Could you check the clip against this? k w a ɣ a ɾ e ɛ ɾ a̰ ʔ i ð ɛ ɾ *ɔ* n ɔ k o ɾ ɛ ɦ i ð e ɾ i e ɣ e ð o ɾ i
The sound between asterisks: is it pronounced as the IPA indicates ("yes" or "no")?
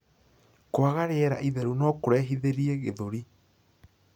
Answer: no